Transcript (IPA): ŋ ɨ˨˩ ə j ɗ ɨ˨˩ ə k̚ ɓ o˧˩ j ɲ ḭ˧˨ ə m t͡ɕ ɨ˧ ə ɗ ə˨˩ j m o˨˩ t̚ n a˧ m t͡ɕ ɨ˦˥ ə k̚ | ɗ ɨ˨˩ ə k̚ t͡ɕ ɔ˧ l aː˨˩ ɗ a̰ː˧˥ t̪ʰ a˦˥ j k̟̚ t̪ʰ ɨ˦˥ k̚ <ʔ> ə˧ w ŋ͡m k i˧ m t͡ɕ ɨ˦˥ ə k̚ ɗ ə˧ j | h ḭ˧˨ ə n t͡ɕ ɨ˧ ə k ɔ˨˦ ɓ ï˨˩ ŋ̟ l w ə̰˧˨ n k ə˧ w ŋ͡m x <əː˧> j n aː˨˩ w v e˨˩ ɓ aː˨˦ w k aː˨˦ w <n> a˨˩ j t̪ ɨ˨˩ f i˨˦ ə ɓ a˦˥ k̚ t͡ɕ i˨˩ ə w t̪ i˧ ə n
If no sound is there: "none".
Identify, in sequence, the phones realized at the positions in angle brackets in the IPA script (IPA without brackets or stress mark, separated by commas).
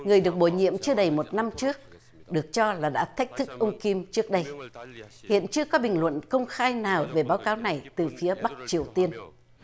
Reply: ʔ, aː˧, n